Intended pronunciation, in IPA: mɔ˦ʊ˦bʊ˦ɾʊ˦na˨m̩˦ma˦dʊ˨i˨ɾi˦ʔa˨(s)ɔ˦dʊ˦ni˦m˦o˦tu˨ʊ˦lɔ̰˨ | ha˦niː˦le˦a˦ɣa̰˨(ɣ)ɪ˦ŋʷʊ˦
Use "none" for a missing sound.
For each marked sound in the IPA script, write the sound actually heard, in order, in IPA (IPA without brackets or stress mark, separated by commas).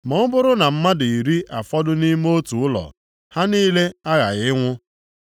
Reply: f, ɣ